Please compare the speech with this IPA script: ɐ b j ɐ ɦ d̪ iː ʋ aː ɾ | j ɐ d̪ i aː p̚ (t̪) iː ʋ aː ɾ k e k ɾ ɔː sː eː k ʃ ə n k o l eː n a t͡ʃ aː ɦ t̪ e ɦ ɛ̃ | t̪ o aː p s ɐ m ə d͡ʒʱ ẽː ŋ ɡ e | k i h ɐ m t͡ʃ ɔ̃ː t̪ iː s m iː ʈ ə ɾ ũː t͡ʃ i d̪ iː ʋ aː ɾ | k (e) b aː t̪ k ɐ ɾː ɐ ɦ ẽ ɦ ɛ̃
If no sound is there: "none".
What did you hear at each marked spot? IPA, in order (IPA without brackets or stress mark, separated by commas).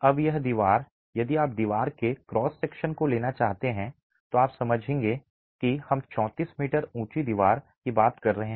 d̪, i